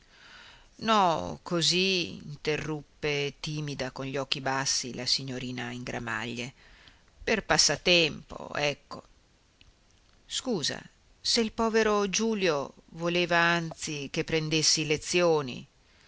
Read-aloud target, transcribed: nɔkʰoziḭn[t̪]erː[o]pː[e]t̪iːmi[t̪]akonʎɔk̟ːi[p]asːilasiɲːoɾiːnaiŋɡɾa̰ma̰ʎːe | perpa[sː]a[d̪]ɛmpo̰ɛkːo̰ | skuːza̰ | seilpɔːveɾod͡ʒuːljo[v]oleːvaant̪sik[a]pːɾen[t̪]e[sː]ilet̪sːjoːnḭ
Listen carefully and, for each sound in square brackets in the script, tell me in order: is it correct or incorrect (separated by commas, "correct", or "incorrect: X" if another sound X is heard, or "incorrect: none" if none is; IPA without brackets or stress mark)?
correct, incorrect: u, correct, incorrect: d̪, incorrect: b, correct, incorrect: t̪, correct, incorrect: e, incorrect: d̪, correct